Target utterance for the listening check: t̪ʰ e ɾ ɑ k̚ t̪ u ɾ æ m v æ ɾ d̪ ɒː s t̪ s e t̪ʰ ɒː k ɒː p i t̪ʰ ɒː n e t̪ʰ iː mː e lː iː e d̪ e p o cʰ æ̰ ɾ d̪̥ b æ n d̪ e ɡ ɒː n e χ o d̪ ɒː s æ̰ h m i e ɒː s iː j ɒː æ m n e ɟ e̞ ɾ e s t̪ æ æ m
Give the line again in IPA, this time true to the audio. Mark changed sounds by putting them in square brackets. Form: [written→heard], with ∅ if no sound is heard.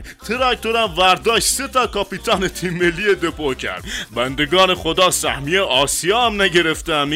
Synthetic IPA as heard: t̪ʰ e ɾ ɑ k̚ t̪ [u→o] ɾ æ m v æ ɾ d̪ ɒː [s→ʃ] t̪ s e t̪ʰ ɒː k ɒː p i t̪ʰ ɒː n e t̪ʰ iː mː e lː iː e d̪ e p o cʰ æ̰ ɾ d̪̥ b æ n d̪ e ɡ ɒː n e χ o d̪ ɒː s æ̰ h m i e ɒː s [iː→i] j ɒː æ m n [e→æ] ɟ e̞ ɾ e [s→f] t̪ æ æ m